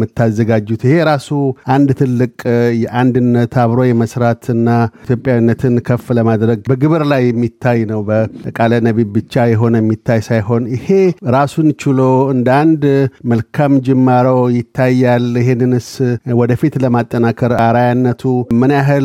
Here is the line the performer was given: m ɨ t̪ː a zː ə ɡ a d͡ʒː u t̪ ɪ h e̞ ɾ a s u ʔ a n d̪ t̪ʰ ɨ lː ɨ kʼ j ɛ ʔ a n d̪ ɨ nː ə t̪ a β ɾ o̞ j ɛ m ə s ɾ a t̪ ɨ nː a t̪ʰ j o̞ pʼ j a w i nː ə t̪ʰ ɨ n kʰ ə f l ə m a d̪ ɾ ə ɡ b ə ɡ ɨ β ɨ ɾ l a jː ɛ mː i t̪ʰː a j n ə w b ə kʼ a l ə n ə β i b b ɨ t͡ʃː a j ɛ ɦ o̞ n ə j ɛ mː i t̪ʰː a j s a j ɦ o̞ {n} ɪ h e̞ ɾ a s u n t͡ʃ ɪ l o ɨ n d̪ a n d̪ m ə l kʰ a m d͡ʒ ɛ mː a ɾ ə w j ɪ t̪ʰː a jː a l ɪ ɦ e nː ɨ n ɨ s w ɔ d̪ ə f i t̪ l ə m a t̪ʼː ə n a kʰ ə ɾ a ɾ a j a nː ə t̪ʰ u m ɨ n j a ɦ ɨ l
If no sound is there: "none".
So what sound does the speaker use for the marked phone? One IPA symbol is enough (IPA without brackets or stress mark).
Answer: n